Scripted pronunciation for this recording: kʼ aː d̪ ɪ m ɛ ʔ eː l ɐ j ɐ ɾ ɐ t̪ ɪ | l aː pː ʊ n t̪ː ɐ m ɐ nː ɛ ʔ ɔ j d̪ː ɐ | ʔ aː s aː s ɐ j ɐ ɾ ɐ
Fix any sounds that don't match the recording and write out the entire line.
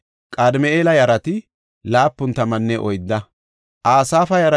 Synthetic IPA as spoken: kʼ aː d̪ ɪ m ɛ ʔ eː l ɐ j ɐ ɾ ɐ t̪ ɪ | l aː pː ʊ n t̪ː ɐ m ɐ nː ɛ ʔ ɔ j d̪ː ɐ | ʔ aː s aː f ɐ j ɐ ɾ ɐ